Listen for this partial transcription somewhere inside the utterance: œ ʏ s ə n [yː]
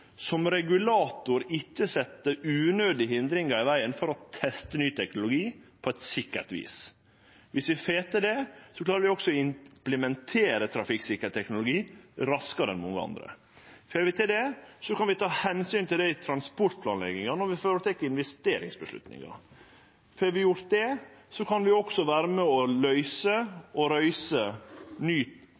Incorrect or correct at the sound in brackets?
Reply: correct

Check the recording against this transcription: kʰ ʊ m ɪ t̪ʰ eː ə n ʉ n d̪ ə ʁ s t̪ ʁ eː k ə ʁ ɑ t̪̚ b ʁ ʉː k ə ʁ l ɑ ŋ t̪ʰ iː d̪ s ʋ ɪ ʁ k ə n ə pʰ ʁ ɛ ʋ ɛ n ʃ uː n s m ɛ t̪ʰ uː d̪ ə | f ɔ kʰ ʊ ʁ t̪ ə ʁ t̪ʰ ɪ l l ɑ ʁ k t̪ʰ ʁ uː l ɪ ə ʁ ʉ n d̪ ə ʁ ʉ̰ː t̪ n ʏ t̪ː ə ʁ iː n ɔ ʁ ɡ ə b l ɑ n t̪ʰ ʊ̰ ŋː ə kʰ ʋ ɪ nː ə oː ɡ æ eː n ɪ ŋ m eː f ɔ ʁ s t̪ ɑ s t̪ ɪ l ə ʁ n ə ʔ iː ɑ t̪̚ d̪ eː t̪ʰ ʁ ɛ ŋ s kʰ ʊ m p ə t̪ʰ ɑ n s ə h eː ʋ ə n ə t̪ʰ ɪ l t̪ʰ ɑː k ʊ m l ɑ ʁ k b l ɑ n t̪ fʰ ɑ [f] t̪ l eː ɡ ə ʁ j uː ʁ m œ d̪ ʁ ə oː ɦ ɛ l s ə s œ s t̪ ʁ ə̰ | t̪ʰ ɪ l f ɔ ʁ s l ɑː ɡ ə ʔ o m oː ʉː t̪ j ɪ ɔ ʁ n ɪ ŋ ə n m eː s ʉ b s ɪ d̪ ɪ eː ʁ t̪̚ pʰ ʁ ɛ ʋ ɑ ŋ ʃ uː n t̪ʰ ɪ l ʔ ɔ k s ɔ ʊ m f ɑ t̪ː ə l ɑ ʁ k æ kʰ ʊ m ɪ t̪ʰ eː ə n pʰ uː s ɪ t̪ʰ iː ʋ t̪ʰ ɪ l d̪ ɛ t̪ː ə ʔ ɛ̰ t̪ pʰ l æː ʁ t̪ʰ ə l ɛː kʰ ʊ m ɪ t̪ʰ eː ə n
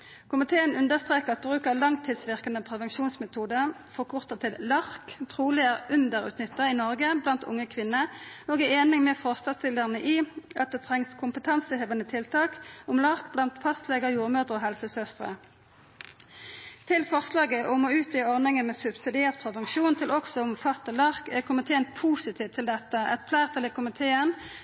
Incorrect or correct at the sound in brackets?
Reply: incorrect: s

